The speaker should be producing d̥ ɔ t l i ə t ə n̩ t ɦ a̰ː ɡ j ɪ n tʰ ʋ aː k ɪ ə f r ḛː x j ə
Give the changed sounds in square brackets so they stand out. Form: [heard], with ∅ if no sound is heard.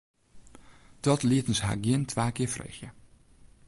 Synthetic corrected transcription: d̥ ɔ t l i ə t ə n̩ [s] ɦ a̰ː ɡ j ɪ n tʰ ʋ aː k ɪ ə f r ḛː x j ə

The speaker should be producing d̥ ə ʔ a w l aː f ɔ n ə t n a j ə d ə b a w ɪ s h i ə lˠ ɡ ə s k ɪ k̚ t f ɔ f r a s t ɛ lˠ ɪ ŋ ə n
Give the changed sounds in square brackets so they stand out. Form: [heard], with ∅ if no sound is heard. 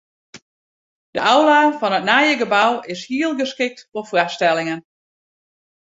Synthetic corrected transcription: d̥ ə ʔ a w l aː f ɔ n ə t n a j ə [ɡ] ə b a w ɪ s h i ə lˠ ɡ ə s k ɪ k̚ t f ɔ f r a s t ɛ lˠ ɪ ŋ ə n

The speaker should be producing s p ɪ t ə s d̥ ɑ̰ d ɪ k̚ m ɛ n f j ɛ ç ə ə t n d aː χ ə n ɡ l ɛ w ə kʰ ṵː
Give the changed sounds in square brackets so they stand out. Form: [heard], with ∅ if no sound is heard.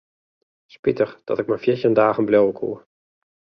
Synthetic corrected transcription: s p ɪ t ə [χ] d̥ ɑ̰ [t] ɪ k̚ m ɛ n f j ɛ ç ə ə [∅] n d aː χ ə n [b] l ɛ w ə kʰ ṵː

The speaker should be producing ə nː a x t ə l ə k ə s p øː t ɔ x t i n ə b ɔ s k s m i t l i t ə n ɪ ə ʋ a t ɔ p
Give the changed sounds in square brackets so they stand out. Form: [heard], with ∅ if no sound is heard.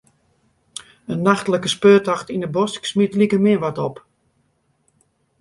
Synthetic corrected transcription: ə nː a x t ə l ə k ə s p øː t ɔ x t i n ə b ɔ s k s m i t l i [k] ə [m] ɪ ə ʋ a t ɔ p

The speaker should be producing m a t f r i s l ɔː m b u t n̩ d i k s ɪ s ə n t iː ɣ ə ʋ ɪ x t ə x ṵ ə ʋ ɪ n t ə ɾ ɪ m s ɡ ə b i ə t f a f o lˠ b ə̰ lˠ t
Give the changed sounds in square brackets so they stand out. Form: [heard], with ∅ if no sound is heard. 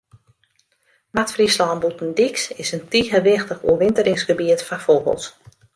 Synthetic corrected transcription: m a t f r i s l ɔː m b u t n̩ d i k s ɪ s ə n t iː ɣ ə ʋ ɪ x t ə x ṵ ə ʋ ɪ n t ə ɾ ɪ [ŋ] s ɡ ə b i ə t f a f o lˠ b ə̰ lˠ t

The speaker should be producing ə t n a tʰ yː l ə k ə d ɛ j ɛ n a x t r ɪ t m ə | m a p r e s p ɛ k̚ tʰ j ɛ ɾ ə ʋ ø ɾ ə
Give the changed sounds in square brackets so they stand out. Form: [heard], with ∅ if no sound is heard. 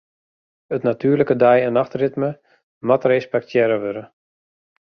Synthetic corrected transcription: ə t n a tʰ yː l ə k ə d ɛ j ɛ n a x t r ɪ t m ə | m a [t] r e s p ɛ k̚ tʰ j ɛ ɾ ə ʋ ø ɾ ə

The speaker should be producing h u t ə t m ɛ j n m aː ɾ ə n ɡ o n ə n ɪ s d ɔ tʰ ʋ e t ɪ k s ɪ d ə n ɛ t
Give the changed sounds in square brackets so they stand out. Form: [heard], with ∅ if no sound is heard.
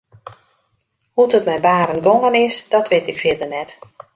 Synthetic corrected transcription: h u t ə t m ɛ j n [b] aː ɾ ə n ɡ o [ŋ] ə n ɪ s d ɔ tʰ ʋ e t ɪ k [f] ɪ d ə n ɛ t

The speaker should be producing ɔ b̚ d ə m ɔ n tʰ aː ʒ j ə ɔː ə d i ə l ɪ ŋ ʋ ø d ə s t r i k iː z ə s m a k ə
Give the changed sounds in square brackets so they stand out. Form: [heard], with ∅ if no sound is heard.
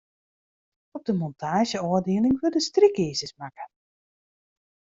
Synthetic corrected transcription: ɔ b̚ d ə m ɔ n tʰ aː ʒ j ə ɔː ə d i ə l ɪ ŋ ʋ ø d ə s t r i k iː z ə s m a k ə

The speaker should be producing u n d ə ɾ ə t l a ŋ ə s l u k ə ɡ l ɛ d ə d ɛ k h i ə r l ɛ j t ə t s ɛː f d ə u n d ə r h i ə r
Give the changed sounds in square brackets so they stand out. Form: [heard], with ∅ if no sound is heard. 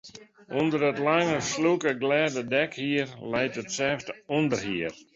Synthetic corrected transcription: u n d ə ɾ ə t l a ŋ ə s l u k ə ɡ l ɛ d ə d ɛ k h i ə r l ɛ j t ə t s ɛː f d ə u n d ə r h i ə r

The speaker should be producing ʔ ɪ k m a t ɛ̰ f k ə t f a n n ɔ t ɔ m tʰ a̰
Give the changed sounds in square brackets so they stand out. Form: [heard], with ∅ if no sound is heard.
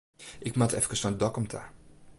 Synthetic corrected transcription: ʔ ɪ k m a t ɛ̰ f k ə [s] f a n [d] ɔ [k] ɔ m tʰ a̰

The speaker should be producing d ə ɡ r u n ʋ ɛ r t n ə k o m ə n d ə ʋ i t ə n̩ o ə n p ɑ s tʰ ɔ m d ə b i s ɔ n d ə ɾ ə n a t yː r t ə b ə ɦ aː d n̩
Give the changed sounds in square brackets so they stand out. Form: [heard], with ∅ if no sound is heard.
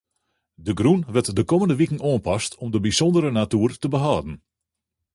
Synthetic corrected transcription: d ə ɡ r u n ʋ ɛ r t [d] ə k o m ə n d ə ʋ i [k] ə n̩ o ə n p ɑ s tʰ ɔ m d ə b i s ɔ n d ə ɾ ə n a t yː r t ə b ə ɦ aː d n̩

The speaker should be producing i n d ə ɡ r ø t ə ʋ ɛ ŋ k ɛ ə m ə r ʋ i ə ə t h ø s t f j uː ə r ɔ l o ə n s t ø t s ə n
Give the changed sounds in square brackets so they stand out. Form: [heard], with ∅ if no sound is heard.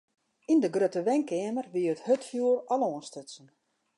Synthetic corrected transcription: i n d ə ɡ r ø t ə ʋ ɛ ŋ k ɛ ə m ə r ʋ i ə ə t h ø [∅] t f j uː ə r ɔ l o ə n s t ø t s ə n

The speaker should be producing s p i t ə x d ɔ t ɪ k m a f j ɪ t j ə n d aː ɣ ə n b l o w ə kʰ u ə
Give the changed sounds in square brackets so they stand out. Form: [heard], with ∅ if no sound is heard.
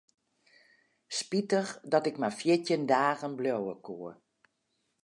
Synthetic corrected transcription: s p i t ə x d ɔ t ɪ k m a f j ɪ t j ə n d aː ɣ ə n b l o w ə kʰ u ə

